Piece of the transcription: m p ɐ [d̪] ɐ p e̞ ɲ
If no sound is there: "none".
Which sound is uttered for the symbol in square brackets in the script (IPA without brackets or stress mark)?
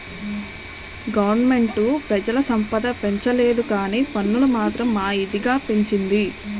d̪